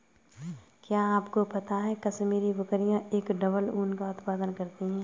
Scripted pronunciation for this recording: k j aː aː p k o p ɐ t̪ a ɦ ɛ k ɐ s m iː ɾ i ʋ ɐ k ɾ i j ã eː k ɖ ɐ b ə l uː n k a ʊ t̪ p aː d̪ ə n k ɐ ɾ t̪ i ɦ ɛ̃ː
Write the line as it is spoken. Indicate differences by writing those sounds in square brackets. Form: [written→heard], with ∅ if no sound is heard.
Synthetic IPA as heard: k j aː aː p k o p ɐ t̪ a ɦ ɛ k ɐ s m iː ɾ i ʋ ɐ k ɾ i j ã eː k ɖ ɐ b ə l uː n k a ʊ t̪ p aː d̪ ə n k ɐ ɾ t̪ i ɦ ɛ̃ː